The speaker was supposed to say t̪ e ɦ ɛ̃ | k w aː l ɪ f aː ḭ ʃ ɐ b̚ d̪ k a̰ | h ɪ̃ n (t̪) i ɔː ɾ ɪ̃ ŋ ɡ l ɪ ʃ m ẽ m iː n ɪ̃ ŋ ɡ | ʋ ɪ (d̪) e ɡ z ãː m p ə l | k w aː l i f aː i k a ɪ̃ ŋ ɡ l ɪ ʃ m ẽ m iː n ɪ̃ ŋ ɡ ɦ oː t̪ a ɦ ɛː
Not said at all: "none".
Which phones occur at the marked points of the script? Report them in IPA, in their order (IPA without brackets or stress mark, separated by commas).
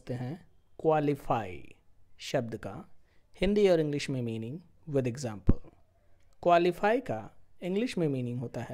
d̪, d̪